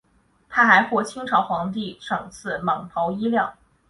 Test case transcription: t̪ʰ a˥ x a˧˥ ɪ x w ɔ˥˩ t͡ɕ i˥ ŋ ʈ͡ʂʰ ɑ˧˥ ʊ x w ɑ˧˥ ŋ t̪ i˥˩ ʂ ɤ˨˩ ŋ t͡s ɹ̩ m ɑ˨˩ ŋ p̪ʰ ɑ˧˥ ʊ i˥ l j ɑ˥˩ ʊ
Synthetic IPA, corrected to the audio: t̪ʰ a˥ x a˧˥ ɪ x w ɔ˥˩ t͡ɕʰ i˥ ŋ ʈ͡ʂʰ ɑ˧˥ ʊ x w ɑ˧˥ ŋ t̪ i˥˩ ʂ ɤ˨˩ ŋ t͡sʰ ɹ̩ m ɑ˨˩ ŋ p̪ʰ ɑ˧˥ ʊ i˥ l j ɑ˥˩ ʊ